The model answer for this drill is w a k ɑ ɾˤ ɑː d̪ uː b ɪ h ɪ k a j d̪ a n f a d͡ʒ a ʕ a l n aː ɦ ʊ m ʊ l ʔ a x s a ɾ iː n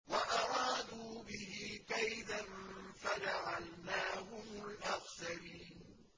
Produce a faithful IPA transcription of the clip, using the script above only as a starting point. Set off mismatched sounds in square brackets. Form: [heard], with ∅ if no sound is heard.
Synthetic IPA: w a [ʔ] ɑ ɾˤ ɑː d̪ uː b ɪ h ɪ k a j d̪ a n f a d͡ʒ a ʕ a l n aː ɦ ʊ m ʊ l ʔ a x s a ɾ iː n